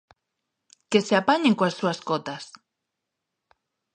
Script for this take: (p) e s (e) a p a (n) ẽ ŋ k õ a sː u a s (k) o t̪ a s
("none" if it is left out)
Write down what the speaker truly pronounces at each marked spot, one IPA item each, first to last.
k, e, ɲ, k

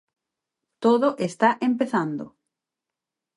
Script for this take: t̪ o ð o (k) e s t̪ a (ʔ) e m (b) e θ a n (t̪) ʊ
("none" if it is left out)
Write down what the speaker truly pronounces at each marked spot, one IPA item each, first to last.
ʔ, ʔ, p, d̪

